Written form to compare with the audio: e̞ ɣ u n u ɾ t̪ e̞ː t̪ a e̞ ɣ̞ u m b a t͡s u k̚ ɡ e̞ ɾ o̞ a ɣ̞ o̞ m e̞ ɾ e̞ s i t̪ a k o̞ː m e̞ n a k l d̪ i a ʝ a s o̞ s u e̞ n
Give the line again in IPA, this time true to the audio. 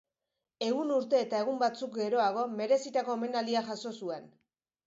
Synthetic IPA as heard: e̞ ɣ u n u ɾ t̪ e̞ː t̪ a e̞ ɣ̞ u m b a t͡s u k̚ ɡ e̞ ɾ o̞ a ɣ̞ o̞ m e̞ ɾ e̞ s i t̪ a k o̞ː m e̞ n a l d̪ i a ʝ a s o̞ s u e̞ n